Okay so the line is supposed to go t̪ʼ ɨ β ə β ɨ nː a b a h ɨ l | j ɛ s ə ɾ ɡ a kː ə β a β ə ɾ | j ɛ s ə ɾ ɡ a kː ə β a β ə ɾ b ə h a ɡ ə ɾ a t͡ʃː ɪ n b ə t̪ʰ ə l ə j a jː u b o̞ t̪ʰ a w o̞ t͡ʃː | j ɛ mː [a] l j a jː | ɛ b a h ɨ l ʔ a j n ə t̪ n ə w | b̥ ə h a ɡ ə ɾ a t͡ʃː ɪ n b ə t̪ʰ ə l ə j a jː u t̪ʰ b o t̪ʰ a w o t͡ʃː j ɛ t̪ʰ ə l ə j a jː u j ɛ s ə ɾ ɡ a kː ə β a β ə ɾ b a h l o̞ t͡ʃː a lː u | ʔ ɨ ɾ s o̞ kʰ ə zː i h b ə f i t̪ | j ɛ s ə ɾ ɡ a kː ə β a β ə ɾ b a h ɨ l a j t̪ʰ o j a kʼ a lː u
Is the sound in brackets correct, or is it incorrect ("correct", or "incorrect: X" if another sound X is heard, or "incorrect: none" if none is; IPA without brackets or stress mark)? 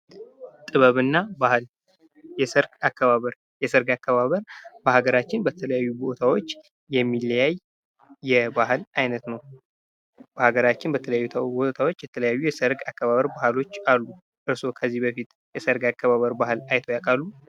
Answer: incorrect: i